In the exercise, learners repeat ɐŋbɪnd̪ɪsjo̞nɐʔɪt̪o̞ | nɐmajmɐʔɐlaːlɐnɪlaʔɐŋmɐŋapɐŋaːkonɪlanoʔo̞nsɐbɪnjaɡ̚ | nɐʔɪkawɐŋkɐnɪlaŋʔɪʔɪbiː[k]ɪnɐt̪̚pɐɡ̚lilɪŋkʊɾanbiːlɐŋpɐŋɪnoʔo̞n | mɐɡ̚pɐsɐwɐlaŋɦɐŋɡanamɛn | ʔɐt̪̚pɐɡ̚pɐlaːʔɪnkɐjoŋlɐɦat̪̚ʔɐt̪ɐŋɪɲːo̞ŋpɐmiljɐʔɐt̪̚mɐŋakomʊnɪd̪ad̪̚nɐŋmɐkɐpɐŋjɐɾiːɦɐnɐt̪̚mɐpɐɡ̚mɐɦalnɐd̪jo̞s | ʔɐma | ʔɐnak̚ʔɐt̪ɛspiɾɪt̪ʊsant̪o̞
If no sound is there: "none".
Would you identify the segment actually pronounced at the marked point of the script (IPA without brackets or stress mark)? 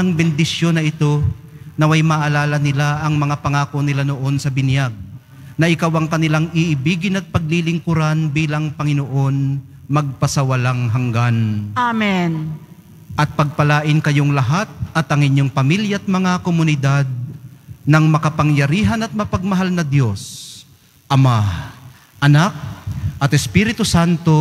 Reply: ɡ